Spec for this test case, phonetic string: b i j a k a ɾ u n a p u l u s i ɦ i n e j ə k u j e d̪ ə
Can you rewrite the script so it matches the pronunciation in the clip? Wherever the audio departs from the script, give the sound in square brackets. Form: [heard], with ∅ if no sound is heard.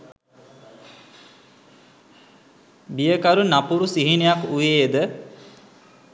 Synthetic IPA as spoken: b i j [ə] k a ɾ u n a p u [ɾ] u s i ɦ i n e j [a] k u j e d̪ ə